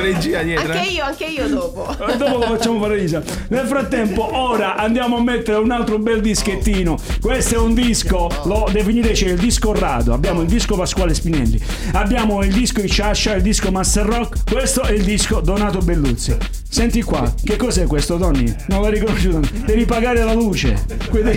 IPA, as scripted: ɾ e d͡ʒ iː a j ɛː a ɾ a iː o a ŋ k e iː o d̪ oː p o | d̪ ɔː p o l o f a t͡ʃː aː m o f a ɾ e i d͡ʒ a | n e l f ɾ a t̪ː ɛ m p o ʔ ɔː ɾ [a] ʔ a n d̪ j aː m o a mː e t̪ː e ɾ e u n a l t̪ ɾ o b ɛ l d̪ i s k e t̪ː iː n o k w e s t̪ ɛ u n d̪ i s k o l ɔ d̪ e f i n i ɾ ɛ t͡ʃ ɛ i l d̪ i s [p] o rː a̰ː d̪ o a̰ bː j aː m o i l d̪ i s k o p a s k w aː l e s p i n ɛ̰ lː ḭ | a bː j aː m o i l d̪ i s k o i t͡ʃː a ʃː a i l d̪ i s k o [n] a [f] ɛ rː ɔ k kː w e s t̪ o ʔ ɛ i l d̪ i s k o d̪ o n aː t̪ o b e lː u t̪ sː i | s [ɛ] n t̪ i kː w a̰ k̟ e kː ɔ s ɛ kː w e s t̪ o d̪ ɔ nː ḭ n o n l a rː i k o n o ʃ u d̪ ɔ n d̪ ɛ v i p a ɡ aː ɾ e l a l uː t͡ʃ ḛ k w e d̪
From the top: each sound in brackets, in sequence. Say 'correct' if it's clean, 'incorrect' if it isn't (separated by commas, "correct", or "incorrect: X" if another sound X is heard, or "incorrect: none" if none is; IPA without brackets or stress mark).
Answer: correct, incorrect: k, incorrect: m, incorrect: s, correct